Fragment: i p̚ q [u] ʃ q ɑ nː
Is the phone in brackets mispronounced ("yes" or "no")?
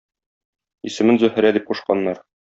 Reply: no